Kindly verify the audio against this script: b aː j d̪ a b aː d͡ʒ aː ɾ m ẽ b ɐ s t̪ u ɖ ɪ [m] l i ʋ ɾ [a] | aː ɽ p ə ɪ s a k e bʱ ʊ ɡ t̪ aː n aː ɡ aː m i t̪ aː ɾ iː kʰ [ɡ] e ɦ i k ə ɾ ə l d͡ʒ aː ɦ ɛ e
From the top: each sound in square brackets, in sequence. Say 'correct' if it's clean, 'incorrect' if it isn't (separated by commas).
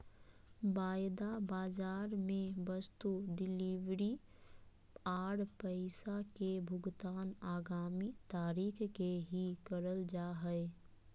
incorrect, incorrect, incorrect